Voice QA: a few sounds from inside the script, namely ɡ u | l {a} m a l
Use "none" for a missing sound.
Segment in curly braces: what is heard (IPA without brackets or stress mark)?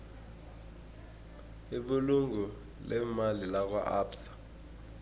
ɛ